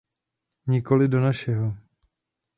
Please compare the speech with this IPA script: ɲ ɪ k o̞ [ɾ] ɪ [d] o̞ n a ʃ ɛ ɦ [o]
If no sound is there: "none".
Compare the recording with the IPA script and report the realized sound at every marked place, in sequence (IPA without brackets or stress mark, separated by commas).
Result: l, d, o